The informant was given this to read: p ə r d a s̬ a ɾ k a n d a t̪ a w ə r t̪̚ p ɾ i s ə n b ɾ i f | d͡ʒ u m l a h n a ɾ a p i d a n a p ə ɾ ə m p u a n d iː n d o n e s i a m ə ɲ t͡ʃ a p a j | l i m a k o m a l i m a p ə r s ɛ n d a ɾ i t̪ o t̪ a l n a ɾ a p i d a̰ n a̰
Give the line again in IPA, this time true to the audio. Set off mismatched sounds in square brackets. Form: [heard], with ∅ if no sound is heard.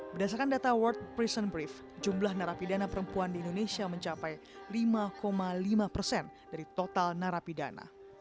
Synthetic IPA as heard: [b] ə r d a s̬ a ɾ k a n d a t̪ a w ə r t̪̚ p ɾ i s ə n b ɾ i f | d͡ʒ u m l a h n a ɾ a p i d a n a p ə ɾ ə m p u a n d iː n d o n e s i a m ə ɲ t͡ʃ a p a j | l i m a k o m a l i m a p ə r s ɛ n d a ɾ i t̪ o t̪ a l n a ɾ a p i d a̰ n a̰